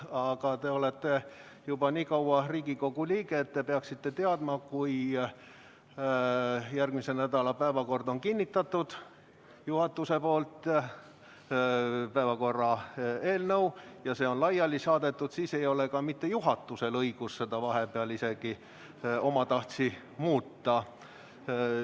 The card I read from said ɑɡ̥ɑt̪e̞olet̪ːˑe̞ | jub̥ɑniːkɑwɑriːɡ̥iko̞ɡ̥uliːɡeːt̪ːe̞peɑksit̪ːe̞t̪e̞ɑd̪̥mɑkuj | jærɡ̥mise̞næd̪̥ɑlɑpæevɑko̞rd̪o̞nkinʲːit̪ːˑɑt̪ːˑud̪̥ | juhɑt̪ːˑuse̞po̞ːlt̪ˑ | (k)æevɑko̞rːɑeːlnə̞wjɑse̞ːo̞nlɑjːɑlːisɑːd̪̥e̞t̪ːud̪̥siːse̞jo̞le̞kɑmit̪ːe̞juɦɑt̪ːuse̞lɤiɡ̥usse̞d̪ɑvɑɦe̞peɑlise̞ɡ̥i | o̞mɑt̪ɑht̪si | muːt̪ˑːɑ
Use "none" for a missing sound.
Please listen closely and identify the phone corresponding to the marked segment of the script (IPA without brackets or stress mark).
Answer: p